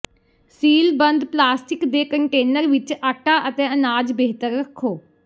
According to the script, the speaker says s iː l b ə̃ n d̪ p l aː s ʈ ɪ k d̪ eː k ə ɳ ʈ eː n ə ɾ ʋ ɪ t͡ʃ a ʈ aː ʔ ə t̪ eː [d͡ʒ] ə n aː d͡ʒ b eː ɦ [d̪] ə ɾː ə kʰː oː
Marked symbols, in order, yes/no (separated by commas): no, no